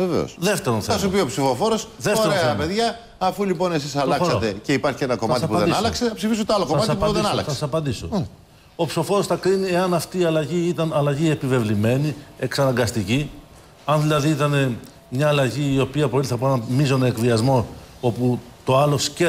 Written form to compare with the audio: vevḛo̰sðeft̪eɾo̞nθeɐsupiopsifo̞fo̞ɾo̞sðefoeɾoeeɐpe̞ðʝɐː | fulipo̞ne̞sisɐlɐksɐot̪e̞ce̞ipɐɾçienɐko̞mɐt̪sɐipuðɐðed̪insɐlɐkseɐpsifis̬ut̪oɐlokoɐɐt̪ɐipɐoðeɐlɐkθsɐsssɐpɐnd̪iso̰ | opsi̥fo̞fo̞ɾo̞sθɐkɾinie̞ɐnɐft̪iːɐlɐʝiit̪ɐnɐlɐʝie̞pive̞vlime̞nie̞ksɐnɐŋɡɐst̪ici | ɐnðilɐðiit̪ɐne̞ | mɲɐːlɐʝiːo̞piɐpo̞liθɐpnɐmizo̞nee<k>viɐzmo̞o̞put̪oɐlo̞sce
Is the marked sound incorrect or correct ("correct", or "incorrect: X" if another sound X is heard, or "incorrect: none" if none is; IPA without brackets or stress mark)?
correct